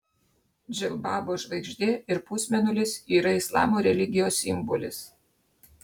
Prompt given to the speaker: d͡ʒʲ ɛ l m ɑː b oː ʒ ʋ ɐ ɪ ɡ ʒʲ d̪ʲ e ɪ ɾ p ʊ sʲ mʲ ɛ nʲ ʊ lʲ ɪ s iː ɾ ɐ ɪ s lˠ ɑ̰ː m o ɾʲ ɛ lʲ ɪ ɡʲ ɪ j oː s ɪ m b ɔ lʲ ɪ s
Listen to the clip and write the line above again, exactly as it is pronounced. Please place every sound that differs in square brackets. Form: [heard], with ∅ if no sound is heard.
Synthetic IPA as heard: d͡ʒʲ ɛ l [b] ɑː b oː ʒ ʋ ɐ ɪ ɡ ʒʲ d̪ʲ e ɪ ɾ p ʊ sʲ mʲ ɛ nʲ ʊ lʲ ɪ s iː ɾ ɐ ɪ s lˠ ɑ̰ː m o ɾʲ ɛ lʲ ɪ ɡʲ ɪ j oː s ɪ m b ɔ lʲ ɪ s